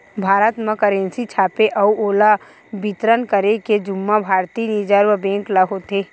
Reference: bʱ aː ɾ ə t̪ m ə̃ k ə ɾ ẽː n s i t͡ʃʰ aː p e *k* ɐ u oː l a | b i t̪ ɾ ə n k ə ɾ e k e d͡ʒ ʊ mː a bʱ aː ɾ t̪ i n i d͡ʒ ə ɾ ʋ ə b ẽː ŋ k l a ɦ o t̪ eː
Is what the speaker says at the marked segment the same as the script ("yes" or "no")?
no